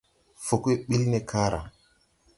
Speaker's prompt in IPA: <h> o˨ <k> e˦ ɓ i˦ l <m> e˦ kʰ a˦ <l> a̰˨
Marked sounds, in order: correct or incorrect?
incorrect: f, correct, incorrect: n, incorrect: ɾ

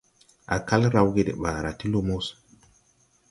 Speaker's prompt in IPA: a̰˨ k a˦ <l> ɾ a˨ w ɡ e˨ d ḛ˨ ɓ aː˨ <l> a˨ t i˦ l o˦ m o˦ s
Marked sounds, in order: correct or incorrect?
correct, incorrect: ɾ

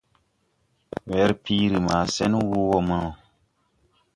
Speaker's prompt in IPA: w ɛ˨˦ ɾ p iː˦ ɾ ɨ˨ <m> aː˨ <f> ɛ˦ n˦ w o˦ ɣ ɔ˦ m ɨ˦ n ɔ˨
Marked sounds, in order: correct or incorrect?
correct, incorrect: s

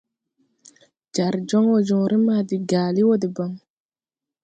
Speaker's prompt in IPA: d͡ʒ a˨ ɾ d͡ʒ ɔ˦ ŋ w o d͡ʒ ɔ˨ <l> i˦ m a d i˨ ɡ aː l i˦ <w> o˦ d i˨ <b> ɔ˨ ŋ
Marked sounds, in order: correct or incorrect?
incorrect: ɾ, correct, correct

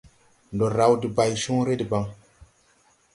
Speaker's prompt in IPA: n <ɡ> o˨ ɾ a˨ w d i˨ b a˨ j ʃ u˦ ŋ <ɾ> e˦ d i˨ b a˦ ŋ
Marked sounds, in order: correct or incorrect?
incorrect: d, correct

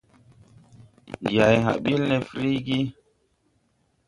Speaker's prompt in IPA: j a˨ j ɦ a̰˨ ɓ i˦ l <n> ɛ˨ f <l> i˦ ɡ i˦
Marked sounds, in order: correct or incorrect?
correct, incorrect: ɾ

